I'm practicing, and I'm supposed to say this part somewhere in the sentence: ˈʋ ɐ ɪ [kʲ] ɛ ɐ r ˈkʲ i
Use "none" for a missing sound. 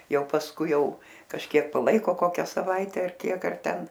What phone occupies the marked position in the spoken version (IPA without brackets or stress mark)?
tʲ